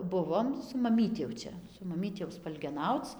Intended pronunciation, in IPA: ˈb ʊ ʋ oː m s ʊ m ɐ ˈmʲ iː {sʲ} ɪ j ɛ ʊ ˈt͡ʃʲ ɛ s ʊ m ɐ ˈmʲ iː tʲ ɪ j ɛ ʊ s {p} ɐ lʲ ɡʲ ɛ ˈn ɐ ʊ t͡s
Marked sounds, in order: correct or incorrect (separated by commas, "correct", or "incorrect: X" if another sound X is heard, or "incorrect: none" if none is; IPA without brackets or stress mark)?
incorrect: tʲ, correct